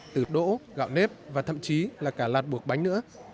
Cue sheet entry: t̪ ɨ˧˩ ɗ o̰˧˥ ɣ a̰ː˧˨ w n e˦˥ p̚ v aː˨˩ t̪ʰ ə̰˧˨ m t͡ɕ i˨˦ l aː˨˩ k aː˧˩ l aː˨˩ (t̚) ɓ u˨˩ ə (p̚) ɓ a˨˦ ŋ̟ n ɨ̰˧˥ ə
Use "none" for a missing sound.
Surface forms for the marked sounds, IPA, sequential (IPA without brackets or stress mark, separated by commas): t̚, k̚